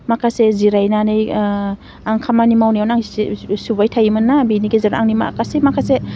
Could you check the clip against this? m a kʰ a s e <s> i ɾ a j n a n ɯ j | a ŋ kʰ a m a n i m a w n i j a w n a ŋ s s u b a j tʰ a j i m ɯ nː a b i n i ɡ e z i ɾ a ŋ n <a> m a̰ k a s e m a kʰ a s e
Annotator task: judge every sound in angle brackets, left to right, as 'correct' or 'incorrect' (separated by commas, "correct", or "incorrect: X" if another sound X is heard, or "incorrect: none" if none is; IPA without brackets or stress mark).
incorrect: z, incorrect: i